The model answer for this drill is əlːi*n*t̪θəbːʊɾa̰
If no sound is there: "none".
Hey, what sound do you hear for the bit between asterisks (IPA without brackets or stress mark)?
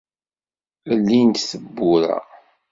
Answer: n